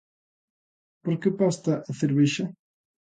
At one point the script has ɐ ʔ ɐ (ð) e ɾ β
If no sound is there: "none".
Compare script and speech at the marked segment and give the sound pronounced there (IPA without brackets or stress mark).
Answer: θ